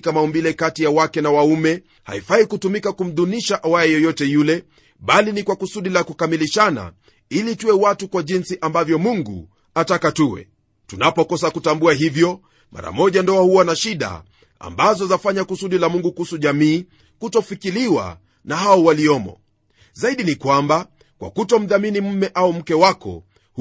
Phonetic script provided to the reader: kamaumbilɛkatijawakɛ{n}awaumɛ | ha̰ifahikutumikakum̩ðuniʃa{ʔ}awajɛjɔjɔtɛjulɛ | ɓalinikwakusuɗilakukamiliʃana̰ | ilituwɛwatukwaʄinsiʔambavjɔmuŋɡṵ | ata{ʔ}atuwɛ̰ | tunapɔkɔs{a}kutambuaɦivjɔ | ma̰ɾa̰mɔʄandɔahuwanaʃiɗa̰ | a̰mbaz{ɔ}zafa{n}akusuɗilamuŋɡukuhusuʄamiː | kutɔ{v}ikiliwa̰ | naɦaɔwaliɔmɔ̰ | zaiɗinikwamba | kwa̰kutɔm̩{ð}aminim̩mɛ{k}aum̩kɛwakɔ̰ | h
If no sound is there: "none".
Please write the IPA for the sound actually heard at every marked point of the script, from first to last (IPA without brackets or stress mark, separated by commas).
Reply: n, ʔ, k, a, ɔ, ɲ, f, ð, ʔ